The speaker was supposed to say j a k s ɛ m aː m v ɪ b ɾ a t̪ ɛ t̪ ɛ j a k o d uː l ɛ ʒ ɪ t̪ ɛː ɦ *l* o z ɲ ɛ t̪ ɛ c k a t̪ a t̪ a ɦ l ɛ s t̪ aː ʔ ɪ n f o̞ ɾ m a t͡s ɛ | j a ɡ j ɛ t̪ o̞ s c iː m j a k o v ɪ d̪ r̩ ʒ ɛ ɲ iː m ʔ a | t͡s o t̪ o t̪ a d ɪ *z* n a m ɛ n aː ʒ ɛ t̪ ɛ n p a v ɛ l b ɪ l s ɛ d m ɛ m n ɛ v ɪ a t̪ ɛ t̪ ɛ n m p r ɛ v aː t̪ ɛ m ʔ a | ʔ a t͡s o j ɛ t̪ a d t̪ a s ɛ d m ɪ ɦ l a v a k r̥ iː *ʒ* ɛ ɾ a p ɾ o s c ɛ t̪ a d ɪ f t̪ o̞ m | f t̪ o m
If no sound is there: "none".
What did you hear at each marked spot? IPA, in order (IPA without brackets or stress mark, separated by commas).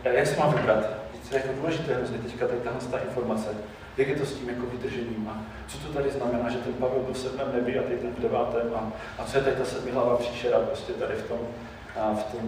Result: ɾ, z, ʃ